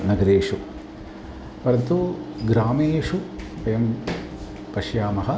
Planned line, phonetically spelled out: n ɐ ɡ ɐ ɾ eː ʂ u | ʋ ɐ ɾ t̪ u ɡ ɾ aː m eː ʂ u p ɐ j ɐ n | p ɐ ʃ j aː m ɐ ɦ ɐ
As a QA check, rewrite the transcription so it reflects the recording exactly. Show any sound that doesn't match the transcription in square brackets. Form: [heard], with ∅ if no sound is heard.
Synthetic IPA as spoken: n ɐ ɡ ɐ ɾ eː ʂ u | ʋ ɐ ɾ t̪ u ɡ ɾ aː m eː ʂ u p ɐ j ɐ [m] | p ɐ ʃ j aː m ɐ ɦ ɐ